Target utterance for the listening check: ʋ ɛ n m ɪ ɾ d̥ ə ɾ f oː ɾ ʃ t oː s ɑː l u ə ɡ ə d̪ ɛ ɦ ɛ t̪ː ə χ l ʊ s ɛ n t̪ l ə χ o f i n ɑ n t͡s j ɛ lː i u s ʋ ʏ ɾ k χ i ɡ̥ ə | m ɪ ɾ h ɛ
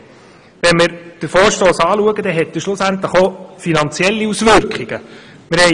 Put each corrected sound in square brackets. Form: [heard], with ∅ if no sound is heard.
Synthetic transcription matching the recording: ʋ ɛ n m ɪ ɾ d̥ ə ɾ f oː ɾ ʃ t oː s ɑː l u ə ɡ ə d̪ ɛ ɦ ɛ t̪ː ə [ʃ] l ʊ s [æ] n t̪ l ə χ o f i n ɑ n t͡s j ɛ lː i u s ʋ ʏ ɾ k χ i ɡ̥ ə | m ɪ ɾ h ɛ